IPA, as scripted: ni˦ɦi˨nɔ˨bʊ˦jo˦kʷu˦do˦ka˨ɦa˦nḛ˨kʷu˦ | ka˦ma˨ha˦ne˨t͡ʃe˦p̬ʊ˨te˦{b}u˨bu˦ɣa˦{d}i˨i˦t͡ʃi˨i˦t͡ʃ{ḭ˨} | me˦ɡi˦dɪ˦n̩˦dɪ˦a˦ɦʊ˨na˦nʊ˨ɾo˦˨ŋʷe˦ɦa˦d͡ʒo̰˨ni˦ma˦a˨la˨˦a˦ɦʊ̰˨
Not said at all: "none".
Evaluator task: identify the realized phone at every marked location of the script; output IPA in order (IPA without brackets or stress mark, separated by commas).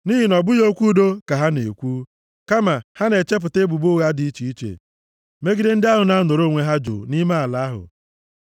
b, d, ḛ˨